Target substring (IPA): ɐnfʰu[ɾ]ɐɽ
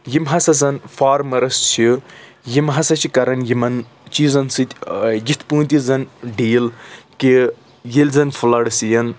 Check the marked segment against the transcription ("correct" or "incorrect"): incorrect